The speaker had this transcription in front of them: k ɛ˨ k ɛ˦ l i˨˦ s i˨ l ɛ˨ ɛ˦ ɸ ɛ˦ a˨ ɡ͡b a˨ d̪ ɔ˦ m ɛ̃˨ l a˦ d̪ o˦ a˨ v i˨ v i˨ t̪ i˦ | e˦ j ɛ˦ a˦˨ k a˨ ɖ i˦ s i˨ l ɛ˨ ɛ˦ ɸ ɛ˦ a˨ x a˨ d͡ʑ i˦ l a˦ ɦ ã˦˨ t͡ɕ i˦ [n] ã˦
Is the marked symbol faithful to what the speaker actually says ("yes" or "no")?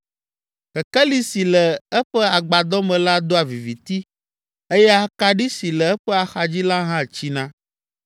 yes